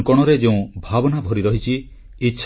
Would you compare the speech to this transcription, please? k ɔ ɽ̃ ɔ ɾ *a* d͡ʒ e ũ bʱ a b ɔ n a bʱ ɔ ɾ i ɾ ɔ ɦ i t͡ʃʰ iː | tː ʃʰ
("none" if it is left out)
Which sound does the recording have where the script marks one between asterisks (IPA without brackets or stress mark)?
e